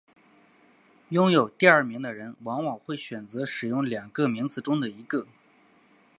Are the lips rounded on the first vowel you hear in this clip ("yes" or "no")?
yes